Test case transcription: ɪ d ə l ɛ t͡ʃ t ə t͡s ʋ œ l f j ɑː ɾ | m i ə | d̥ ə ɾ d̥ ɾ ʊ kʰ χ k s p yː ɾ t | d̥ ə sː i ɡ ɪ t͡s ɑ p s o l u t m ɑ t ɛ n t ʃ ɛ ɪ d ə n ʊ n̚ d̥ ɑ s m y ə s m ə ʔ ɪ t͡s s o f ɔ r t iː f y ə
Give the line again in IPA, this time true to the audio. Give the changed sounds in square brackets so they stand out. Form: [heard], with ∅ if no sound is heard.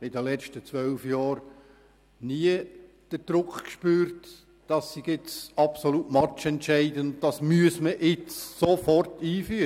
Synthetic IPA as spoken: ɪ d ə l ɛ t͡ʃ t ə t͡s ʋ œ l f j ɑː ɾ | [n] i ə | d̥ ə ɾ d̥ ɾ ʊ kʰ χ k [ʃ] p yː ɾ t | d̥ [ɑ] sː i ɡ ɪ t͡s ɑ p s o l u t m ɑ [t͡ʃ] ɛ n t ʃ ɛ ɪ d ə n ʊ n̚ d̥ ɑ s m y ə s m ə ʔ ɪ t͡s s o f ɔ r t iː f y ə